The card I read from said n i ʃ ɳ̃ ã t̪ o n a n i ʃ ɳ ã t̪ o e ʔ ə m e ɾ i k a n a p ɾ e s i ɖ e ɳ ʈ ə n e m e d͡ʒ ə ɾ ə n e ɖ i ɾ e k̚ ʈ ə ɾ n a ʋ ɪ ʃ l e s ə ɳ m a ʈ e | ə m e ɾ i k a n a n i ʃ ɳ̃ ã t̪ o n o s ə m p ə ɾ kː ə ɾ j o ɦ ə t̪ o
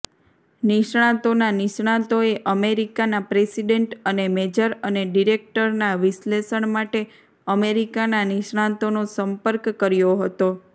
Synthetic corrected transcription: n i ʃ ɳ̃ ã t̪ o n a n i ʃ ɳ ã t̪ o e ʔ ə m e ɾ i k a n a p ɾ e s i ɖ e ɳ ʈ ə n e m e d͡ʒ ə ɾ ə n e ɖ i ɾ e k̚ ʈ ə ɾ n a ʋ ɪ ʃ l e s ə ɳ m a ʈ e | ə m e ɾ i k a n a n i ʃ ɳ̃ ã t̪ o n o s ə m p ə ɾ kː ə ɾ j o ɦ ə t̪ o